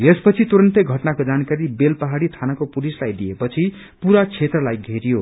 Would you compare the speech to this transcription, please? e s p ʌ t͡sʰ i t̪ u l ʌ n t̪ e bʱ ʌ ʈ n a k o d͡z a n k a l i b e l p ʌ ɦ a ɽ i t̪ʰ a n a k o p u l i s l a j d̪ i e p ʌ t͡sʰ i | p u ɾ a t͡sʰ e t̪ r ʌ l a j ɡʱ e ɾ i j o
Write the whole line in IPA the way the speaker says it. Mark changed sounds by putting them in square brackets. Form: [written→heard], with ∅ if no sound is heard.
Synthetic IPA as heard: e s p ʌ t͡sʰ i t̪ u [l→ɾ] ʌ n t̪ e [bʱ→ɡʱ] ʌ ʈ n a k o d͡z a n k a [l→ɾ] i b e l p ʌ ɦ a ɽ i t̪ʰ a n a k o p u l i s l a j d̪ i e p ʌ t͡sʰ i | p u ɾ a t͡sʰ e t̪ r ʌ l a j ɡʱ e ɾ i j o